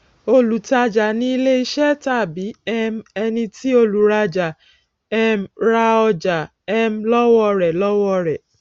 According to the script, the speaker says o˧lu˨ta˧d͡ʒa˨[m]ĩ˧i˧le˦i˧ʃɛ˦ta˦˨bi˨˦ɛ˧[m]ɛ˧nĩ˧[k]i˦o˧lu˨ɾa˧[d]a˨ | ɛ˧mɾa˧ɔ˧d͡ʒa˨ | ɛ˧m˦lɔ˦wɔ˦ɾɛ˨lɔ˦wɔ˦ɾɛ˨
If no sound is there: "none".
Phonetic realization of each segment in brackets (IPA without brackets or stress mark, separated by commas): n, m, t, d͡ʒ